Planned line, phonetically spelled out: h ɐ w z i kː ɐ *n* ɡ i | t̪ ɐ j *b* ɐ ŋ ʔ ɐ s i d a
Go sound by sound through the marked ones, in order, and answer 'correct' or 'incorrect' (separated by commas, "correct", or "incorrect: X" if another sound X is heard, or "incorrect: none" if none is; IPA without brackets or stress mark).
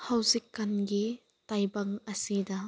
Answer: correct, correct